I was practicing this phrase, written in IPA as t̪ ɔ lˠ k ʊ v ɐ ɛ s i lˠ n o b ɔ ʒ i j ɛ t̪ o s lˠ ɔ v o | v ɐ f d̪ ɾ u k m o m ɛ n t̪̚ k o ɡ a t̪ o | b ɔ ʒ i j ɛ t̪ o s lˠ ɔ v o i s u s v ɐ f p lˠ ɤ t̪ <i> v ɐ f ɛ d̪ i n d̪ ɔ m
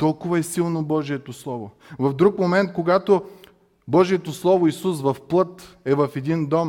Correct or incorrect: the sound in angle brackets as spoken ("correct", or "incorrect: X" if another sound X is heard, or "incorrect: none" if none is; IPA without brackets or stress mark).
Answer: incorrect: ɛ